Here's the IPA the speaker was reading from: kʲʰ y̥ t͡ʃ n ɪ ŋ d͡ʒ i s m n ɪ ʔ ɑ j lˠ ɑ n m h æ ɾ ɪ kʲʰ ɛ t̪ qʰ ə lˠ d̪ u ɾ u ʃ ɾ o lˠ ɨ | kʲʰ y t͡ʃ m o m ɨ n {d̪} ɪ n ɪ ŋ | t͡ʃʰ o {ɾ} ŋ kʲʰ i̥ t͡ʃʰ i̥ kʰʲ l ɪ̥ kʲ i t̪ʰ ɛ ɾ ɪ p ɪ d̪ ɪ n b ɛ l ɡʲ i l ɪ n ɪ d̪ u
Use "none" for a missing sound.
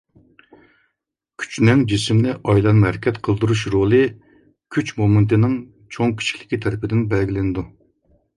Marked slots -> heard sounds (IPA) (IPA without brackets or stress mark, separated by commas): t̪, none